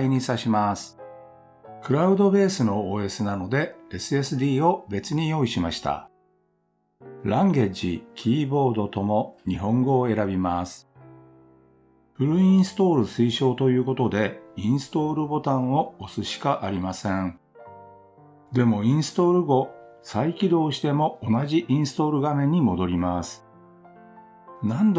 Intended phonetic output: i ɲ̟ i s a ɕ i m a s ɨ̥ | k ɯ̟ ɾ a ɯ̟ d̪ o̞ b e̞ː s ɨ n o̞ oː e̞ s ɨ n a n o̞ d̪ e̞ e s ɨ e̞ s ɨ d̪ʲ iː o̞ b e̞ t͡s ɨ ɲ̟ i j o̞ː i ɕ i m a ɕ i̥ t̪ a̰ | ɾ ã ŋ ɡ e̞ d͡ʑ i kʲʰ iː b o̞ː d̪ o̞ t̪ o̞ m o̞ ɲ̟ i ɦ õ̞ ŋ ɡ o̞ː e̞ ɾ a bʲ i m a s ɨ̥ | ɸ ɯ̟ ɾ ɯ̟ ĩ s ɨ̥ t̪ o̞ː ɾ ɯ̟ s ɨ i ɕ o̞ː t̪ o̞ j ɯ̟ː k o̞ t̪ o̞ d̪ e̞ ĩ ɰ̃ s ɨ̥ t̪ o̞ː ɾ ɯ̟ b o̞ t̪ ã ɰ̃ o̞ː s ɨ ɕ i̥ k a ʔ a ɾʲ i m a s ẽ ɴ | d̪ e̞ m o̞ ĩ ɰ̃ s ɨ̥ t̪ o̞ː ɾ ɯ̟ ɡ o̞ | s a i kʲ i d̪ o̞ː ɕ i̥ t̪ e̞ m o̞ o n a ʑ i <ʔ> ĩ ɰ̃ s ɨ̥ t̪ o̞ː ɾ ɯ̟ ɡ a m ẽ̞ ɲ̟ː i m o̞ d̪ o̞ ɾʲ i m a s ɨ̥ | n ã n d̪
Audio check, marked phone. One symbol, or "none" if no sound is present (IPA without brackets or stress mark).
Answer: ʔ